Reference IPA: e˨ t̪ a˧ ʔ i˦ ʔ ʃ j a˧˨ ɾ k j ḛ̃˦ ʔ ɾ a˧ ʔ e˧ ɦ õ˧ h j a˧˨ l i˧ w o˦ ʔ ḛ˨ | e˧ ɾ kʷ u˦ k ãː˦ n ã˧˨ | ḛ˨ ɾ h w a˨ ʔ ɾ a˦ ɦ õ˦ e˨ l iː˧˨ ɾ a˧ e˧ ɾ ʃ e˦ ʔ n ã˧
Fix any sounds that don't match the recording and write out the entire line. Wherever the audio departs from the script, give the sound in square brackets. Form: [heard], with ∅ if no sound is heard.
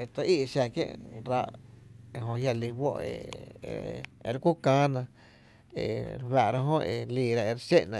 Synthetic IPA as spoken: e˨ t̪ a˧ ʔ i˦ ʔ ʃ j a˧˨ [∅] k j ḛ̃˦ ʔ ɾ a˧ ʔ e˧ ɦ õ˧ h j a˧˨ l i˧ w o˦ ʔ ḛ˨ | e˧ ɾ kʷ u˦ k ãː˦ n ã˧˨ | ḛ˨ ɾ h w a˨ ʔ ɾ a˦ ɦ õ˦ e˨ l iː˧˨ ɾ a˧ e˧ ɾ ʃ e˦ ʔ n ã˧